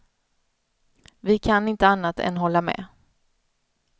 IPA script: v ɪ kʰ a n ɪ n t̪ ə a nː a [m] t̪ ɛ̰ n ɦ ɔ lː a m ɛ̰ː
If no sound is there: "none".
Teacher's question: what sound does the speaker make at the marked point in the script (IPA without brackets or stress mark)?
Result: none